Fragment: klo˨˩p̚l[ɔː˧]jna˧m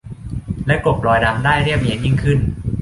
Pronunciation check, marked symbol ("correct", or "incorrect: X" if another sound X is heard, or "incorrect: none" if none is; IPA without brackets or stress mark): correct